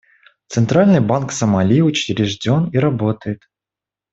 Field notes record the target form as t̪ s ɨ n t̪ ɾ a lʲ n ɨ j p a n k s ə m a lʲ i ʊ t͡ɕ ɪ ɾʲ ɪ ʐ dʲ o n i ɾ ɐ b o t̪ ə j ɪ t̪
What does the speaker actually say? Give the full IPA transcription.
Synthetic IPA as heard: t̪ s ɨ n t̪ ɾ a lʲ n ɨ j b a n k s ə m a lʲ i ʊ t͡ɕ ɪ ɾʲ ɪ ʐ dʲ o n i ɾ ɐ b o t̪ ə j ɪ t̪